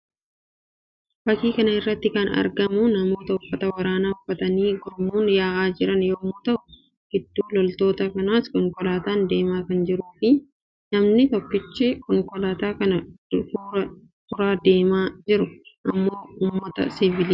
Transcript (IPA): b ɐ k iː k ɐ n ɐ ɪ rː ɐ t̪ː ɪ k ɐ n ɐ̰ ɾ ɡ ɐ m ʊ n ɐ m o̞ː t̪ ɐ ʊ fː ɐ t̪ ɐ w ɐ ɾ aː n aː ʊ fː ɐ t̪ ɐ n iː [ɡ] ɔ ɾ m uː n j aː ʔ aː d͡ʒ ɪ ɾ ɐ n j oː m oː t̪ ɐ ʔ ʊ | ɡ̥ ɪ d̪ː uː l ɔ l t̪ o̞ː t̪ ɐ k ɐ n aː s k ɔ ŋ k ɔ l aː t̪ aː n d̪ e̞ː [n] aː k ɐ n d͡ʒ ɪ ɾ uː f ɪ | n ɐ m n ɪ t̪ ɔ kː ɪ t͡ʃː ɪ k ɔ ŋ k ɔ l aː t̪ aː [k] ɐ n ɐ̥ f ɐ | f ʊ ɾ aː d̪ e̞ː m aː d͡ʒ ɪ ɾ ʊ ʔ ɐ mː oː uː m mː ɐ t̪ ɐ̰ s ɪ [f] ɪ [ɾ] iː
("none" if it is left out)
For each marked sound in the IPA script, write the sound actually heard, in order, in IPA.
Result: ɡ, m, k, v, l

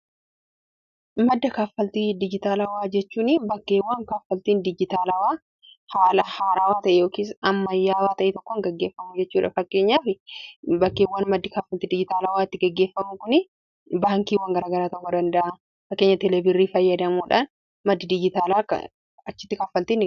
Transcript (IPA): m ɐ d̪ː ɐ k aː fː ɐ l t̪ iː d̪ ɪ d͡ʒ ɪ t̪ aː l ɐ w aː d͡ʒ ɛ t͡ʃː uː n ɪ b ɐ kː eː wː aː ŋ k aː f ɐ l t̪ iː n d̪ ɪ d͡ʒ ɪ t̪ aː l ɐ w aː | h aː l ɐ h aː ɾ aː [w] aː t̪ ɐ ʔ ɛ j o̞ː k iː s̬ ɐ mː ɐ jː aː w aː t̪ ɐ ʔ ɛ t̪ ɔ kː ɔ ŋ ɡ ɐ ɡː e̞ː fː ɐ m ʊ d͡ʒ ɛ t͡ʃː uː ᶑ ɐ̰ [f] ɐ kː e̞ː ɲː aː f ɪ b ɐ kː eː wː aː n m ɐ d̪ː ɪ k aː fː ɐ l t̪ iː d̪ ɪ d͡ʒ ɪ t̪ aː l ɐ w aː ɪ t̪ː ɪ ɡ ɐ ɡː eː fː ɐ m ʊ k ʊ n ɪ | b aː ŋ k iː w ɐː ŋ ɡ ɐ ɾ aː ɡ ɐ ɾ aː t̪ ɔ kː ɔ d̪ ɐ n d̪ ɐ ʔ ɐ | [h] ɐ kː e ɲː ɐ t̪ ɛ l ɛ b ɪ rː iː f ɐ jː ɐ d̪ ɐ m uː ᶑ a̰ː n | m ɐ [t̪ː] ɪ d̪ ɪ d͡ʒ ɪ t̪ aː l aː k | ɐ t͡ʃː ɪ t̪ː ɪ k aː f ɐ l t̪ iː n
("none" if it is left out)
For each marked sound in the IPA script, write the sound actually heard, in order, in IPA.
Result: w, f, f, d̪ː

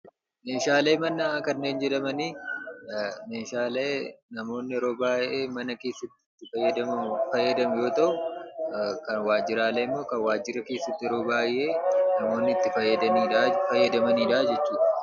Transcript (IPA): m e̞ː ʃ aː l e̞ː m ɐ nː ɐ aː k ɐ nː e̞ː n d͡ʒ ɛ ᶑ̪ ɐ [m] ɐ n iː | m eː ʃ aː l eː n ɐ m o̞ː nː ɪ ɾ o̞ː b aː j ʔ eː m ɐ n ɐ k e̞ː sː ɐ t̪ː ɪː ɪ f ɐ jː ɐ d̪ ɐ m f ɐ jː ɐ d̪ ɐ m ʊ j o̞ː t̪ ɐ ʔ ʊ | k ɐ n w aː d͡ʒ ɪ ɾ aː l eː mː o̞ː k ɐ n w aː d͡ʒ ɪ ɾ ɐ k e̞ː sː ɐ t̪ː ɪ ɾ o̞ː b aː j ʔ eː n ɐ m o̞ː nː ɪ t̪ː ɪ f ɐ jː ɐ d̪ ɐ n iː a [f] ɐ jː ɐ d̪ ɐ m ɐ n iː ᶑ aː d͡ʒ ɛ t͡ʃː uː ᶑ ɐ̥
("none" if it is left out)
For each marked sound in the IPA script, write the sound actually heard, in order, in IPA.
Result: m, f

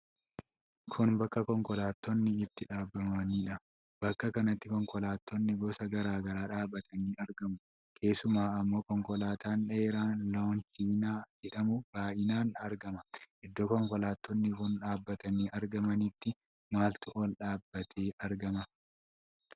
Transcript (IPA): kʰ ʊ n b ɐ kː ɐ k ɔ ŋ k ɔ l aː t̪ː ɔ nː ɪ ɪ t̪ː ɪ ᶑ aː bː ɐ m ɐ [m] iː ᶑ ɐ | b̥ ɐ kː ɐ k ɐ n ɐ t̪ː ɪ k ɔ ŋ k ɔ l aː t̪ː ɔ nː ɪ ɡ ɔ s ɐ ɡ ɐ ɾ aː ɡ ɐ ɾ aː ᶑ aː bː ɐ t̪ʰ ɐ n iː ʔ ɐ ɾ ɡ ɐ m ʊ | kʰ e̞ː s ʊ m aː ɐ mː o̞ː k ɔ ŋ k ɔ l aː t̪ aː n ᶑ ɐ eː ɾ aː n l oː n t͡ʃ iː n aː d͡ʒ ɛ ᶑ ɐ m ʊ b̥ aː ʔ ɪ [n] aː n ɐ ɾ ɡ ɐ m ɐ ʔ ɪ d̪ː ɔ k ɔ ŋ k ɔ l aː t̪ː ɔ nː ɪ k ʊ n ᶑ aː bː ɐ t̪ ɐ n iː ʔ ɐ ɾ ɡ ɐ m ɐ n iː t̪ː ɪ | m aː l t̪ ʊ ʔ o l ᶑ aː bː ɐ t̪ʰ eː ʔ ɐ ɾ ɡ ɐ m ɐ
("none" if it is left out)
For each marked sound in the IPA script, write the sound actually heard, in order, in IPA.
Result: n, n

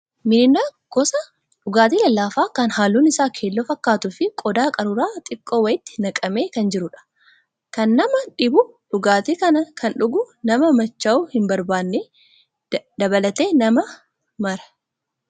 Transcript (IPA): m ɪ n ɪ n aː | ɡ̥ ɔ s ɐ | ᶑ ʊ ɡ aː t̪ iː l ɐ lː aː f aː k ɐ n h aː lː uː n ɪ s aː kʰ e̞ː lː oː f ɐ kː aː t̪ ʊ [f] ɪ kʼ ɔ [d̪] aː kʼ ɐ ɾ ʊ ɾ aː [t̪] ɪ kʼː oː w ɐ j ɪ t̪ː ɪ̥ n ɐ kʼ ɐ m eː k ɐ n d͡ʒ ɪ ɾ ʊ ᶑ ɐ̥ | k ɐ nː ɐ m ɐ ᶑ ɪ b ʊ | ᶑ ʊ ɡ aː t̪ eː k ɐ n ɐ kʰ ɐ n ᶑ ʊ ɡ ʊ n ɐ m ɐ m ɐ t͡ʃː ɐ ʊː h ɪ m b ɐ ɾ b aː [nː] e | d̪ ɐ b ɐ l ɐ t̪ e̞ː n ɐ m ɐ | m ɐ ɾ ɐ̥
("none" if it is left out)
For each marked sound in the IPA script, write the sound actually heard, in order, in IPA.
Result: f, d̪, t̪ʼ, nː

